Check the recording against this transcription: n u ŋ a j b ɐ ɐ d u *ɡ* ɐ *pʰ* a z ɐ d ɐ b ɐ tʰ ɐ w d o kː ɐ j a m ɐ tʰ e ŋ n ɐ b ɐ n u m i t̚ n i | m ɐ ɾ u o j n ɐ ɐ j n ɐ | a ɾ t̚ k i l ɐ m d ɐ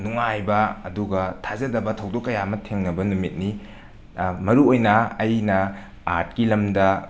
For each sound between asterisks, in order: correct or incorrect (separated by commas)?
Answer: correct, incorrect